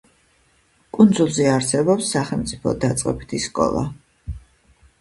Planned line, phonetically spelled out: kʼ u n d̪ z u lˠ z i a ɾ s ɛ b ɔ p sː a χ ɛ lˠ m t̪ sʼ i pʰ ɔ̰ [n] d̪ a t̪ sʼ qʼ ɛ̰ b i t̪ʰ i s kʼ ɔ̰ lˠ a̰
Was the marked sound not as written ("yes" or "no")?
yes